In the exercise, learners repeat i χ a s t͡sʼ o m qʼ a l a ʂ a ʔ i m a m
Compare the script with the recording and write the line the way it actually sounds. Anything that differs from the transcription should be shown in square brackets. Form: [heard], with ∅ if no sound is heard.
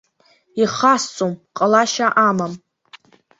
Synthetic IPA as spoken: i χ a s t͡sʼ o m qʼ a l a [ʃ] a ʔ [a] m a m